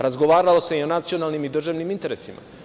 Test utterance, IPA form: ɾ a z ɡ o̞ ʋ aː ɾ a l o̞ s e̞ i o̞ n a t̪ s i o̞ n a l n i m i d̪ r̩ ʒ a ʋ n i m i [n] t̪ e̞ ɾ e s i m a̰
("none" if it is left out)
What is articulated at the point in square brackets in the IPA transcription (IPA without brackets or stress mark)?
n